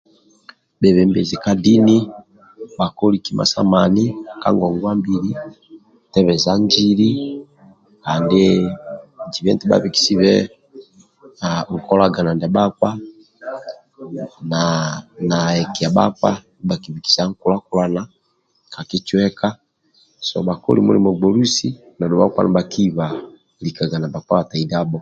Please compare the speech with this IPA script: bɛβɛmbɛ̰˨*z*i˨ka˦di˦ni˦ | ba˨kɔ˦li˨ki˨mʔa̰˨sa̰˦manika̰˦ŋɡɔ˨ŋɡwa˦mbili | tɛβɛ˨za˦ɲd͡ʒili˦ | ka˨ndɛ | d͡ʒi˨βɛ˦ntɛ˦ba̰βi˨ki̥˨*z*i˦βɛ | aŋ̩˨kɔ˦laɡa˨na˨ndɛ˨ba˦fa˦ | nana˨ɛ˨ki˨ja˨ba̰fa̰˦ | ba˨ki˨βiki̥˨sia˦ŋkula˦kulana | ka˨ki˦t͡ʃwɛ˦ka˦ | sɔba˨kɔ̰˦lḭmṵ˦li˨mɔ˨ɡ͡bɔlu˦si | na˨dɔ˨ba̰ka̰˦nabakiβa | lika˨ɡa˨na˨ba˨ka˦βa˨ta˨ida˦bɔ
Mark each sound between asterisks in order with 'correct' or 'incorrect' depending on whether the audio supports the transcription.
correct, incorrect: s

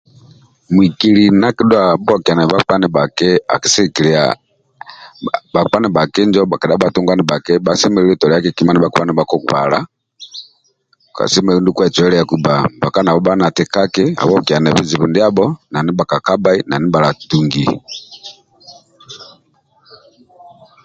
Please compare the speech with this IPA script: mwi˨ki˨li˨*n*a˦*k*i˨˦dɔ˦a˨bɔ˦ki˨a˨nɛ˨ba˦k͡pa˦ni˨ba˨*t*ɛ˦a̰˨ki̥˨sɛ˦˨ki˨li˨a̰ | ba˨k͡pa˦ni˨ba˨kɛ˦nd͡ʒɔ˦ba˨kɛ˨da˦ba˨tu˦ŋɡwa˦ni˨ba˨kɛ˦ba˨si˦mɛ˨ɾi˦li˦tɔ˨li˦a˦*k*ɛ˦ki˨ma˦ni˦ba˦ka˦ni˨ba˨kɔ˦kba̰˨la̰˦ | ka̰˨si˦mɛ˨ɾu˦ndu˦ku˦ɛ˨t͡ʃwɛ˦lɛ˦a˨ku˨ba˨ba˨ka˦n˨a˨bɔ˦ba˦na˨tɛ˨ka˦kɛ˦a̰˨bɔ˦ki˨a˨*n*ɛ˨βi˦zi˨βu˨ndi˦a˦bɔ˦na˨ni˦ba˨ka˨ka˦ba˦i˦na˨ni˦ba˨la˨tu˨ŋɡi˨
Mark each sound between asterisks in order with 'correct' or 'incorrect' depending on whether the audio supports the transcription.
correct, correct, incorrect: k, correct, correct

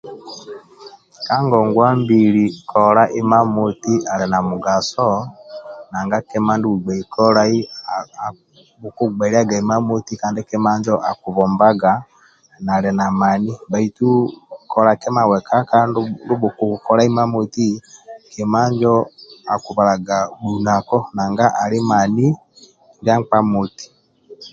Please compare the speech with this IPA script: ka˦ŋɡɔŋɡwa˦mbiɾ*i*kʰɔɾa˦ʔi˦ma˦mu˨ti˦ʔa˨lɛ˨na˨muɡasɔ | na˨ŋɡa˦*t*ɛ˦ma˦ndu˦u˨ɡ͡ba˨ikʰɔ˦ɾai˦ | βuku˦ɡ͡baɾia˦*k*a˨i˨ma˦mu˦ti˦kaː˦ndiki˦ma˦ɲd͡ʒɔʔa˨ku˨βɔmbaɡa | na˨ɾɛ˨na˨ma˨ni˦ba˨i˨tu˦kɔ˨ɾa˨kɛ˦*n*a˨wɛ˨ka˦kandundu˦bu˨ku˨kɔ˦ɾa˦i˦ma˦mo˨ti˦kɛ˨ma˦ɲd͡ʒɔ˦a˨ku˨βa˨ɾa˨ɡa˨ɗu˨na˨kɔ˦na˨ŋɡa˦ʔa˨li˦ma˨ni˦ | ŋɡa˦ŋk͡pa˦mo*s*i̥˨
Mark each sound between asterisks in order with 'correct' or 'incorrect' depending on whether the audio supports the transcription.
correct, incorrect: k, incorrect: ɡ, incorrect: m, incorrect: t

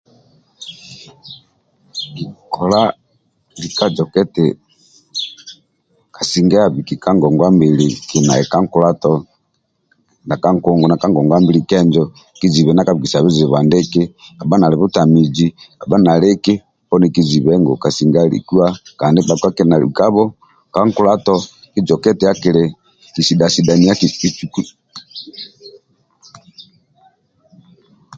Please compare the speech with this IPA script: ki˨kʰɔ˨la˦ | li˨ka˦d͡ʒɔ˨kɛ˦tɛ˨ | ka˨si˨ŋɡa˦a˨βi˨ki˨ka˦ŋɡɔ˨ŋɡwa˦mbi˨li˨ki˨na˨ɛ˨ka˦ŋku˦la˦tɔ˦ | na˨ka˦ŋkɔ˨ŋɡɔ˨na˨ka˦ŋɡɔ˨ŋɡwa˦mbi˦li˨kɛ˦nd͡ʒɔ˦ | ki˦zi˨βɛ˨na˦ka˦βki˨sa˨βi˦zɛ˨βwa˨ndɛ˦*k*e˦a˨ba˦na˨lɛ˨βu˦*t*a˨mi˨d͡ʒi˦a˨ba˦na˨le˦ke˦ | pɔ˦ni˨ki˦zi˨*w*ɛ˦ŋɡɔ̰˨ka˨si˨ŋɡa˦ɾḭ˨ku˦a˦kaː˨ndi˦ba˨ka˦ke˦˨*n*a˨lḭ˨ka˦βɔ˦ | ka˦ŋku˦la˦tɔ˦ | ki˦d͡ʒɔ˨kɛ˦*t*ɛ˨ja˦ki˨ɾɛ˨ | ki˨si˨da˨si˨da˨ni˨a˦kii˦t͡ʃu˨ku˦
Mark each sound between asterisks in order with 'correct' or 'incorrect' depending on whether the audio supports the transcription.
correct, correct, incorrect: β, correct, correct

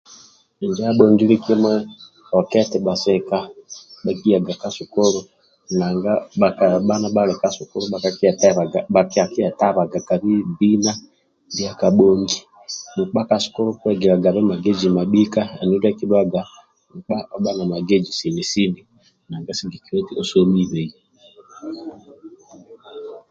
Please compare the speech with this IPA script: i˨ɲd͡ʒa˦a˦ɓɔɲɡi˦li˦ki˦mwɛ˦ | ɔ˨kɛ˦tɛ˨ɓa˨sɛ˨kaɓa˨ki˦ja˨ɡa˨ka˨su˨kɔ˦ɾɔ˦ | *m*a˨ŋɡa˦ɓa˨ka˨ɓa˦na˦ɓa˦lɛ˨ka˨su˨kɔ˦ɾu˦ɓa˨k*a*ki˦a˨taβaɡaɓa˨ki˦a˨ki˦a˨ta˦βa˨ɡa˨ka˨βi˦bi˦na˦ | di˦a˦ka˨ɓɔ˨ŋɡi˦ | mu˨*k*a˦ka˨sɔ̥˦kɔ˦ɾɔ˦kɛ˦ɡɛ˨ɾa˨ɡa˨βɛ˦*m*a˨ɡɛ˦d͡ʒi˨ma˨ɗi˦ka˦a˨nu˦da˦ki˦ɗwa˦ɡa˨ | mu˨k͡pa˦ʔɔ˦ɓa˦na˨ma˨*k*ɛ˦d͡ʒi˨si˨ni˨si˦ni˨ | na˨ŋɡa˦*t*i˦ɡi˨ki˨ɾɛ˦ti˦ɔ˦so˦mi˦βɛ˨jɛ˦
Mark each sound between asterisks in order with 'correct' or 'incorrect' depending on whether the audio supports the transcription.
incorrect: n, correct, incorrect: k͡p, correct, incorrect: ɡ, incorrect: s

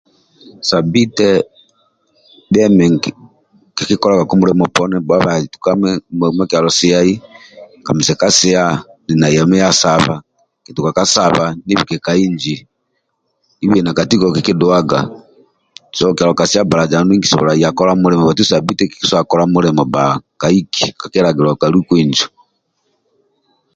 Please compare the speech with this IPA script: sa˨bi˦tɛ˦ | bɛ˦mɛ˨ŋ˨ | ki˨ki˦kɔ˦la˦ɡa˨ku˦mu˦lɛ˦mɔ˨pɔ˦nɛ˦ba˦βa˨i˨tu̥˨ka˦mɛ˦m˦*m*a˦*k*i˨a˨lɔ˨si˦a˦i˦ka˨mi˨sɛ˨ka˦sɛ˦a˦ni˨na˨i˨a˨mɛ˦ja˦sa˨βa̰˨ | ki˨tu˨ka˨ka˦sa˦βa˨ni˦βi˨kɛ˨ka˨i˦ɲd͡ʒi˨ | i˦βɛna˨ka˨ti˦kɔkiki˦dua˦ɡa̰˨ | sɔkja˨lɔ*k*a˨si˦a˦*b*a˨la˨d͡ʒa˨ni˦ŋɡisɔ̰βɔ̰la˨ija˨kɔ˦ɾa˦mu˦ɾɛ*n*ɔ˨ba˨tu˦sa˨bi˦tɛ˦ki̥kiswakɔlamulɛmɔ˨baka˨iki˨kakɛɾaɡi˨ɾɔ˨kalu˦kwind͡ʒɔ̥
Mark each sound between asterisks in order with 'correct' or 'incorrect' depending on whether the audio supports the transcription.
correct, correct, correct, correct, incorrect: m

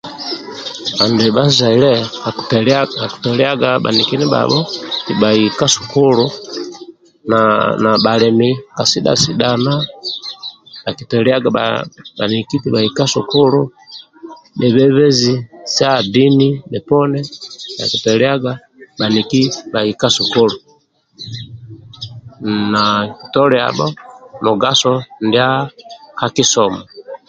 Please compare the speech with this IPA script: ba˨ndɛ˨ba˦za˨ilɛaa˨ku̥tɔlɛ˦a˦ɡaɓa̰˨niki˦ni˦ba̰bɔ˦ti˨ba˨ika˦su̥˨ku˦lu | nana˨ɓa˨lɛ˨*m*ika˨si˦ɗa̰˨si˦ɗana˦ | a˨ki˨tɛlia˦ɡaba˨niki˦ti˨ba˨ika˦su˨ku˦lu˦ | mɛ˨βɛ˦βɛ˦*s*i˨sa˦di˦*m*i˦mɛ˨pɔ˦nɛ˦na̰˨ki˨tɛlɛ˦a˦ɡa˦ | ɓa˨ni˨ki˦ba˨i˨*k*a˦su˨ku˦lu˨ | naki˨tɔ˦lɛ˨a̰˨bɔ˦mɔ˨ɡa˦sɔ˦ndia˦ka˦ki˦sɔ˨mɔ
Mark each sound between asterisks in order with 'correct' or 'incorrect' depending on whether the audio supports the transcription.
correct, incorrect: z, incorrect: n, correct

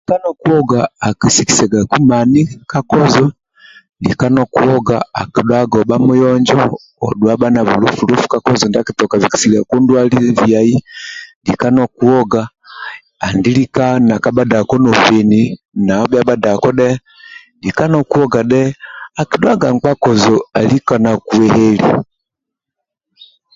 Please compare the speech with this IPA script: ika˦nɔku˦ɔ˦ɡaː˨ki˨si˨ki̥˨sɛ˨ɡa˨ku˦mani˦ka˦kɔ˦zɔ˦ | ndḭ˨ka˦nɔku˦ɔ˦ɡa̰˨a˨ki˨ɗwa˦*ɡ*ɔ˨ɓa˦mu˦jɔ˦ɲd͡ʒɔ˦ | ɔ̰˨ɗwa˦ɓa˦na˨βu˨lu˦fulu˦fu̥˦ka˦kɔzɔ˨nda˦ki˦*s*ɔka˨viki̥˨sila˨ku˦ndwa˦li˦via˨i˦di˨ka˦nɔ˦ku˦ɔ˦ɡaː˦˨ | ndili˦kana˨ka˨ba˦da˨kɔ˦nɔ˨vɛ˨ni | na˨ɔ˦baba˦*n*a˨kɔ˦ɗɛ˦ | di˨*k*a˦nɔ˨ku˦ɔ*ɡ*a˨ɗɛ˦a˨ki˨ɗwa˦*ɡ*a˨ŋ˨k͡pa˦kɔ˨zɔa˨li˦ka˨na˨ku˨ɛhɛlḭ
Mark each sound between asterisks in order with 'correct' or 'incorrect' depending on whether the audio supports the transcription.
correct, incorrect: t, incorrect: d, correct, correct, correct

